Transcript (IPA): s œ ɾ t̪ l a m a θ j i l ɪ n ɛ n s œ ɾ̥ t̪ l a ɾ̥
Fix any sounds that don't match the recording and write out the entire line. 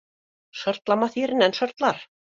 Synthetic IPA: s œ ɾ t̪ l a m a θ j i ɾ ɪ n ɛ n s œ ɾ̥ t̪ l a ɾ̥